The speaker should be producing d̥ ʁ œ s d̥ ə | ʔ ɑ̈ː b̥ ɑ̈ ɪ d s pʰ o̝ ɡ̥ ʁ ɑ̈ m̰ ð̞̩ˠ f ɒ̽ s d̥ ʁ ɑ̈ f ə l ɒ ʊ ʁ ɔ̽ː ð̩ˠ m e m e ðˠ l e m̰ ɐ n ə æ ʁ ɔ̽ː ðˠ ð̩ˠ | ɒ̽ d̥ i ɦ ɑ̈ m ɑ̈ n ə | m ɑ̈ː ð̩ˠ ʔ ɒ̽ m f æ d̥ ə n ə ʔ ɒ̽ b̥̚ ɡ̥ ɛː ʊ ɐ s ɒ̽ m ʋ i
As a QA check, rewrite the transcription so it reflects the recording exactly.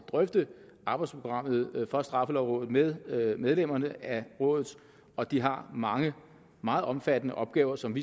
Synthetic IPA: d̥ ʁ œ f d̥ ə | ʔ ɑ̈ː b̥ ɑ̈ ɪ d s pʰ o̝ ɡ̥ ʁ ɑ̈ m̰ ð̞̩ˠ f ɒ̽ s d̥ ʁ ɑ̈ f ə l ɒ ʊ ʁ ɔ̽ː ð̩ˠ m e m e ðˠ l e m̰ ɐ n ə æ ʁ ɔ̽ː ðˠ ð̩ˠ | ɒ̽ d̥ i ɦ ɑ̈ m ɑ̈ ŋ ə | m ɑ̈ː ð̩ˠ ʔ ɒ̽ m f æ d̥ ə n ə ʔ ɒ̽ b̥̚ ɡ̥ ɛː ʊ ɐ s ɒ̽ m ʋ i